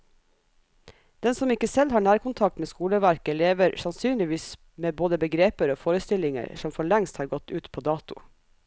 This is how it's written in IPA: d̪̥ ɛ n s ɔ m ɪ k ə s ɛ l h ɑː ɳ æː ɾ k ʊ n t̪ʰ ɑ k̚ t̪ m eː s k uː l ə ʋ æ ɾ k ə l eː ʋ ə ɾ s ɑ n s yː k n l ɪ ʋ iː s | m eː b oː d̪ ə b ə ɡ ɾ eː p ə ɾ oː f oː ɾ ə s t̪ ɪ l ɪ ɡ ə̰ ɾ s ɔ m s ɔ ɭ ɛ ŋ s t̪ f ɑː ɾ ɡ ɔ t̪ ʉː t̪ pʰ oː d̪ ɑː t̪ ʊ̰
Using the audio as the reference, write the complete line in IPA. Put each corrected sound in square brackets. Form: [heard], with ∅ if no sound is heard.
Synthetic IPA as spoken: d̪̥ ɛ n s ɔ m ɪ k ə s ɛ l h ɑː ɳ æː ɾ k ʊ n t̪ʰ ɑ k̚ t̪ m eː s k uː l ə ʋ æ ɾ k ə l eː ʋ ə ɾ s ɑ n s yː [∅] n l ɪ ʋ iː s | m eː b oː d̪ ə b ə ɡ ɾ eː p ə ɾ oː f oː ɾ ə s t̪ ɪ l ɪ [ŋ] ə̰ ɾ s ɔ m [f] ɔ ɭ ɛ ŋ s t̪ [h] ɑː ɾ ɡ ɔ t̪ ʉː t̪ pʰ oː d̪ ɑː t̪ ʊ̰